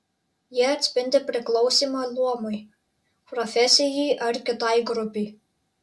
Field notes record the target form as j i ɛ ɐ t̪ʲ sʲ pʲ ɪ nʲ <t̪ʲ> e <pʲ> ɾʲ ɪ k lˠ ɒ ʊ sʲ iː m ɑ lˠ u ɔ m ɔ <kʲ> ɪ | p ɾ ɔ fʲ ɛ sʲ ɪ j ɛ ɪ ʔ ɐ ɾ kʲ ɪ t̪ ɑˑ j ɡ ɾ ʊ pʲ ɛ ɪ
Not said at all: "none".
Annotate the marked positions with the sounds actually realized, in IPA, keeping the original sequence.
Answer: d̪ʲ, pʲ, none

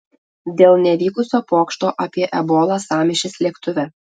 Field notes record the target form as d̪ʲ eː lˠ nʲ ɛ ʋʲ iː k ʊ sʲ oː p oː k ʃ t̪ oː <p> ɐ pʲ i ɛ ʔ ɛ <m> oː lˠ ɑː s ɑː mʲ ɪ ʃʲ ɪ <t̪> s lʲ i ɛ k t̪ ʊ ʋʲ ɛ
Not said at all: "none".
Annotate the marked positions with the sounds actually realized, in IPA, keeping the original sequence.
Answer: ʔ, b, none

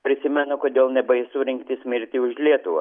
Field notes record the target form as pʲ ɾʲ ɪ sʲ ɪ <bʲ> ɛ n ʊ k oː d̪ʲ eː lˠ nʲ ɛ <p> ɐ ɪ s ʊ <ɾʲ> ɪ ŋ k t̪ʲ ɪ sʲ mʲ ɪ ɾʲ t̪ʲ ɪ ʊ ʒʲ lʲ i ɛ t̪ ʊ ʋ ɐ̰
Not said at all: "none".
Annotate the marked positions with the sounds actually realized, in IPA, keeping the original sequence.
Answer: mʲ, b, ɾʲ

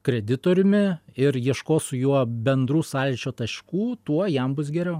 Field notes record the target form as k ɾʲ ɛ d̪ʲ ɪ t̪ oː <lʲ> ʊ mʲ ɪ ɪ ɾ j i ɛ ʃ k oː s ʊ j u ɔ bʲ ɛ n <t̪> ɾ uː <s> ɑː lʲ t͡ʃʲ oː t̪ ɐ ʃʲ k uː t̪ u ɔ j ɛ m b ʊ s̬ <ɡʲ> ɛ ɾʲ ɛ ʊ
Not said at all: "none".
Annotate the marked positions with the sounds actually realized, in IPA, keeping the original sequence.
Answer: ɾʲ, d̪, s, ɡʲ

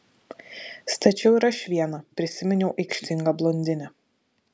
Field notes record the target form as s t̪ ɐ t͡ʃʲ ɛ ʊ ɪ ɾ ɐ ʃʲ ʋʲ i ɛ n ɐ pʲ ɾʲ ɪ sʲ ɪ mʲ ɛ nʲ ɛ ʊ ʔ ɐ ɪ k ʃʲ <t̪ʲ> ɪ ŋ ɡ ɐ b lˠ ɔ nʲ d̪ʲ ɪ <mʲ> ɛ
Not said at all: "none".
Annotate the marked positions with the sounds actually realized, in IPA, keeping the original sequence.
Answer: t̪ʲ, nʲ

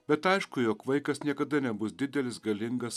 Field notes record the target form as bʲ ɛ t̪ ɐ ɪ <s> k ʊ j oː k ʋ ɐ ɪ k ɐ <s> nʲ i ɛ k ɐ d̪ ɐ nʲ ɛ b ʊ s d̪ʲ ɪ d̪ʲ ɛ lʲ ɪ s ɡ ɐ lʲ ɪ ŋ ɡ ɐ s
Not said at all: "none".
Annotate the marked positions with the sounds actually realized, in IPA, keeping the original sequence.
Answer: ʃ, s

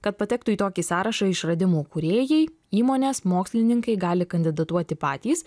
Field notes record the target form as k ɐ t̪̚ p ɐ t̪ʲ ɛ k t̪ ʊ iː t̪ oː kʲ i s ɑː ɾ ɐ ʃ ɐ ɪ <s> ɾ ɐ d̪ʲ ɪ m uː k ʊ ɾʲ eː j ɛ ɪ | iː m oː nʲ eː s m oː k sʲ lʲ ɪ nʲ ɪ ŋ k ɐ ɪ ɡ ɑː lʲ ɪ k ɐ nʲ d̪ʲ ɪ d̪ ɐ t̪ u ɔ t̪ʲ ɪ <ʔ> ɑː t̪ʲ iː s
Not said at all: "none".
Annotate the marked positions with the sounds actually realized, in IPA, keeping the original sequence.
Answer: ʃ, p

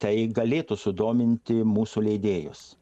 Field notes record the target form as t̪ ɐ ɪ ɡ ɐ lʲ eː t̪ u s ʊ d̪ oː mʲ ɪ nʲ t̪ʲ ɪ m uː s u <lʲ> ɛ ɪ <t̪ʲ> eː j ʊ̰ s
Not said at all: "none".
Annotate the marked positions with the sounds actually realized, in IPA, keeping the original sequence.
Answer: lʲ, d̪ʲ

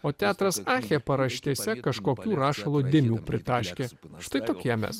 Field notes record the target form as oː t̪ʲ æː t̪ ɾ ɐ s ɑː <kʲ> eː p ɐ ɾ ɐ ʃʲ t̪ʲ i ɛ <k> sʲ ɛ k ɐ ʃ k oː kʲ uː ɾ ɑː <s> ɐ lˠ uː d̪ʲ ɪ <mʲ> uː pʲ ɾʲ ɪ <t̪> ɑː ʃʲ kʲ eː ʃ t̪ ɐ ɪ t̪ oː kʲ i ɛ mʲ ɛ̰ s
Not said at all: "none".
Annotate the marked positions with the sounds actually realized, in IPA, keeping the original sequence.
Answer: xʲ, none, ʃ, mʲ, t̪

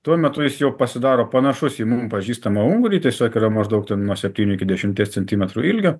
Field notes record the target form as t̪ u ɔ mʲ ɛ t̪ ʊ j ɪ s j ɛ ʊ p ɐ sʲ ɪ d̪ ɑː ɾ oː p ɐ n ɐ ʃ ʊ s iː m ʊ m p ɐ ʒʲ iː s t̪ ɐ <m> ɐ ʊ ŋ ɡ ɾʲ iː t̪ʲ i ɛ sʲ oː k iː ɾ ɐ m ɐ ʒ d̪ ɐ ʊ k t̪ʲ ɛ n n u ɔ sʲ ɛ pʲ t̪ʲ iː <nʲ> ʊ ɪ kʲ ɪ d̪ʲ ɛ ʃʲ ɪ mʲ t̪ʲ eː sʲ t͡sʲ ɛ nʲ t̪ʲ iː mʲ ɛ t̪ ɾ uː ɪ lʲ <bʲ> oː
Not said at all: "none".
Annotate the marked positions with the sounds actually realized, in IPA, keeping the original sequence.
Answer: m, nʲ, ɡʲ

